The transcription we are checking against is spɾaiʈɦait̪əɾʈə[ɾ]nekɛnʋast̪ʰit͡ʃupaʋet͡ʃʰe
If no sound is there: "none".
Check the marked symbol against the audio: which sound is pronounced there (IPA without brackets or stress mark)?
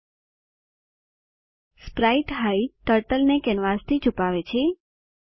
l